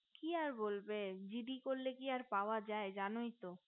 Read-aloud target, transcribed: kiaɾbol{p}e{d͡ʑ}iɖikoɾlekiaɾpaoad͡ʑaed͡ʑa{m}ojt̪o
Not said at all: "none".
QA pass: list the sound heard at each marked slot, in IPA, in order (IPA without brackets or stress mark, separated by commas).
b, d͡ʑ, n